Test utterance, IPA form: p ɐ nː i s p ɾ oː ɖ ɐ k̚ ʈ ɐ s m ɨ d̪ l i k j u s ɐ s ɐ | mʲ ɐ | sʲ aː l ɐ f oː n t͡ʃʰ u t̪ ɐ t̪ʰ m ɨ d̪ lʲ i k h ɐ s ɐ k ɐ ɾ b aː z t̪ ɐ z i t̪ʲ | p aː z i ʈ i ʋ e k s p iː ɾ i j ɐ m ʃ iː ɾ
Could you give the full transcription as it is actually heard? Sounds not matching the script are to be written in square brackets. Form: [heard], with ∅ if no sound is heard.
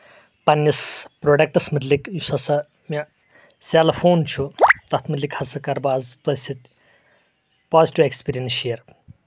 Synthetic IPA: p ɐ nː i s p ɾ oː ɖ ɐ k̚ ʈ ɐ s m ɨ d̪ l i k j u s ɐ s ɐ | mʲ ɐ | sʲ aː l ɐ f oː n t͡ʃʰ u t̪ ɐ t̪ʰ m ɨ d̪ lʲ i k h ɐ s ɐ k ɐ ɾ b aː z t̪ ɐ [s] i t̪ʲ | p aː z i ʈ i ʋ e k s p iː ɾ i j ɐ [n] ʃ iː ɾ